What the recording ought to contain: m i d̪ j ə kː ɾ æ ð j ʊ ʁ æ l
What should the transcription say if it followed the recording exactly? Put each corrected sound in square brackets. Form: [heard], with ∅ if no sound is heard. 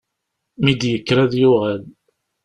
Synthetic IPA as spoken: m i d̪ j ə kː ɾ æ ð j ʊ ʁ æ l